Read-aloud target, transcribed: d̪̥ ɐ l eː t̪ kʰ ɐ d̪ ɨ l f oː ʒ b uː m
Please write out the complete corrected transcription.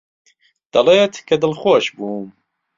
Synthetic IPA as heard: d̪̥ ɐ l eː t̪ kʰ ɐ d̪ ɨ l x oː ʃ b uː m

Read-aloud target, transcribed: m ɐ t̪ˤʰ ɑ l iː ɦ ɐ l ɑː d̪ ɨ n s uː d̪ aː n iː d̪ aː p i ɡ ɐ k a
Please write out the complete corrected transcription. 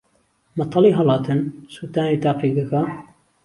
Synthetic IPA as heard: m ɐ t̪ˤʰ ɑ l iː ɦ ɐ l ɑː t̪ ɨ n s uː t̪ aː n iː t̪ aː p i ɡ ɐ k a

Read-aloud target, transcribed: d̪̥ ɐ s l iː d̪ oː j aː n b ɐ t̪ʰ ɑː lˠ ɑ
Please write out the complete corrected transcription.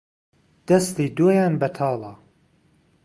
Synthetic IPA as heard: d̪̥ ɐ s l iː d̪ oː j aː n b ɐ t̪ʰ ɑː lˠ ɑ

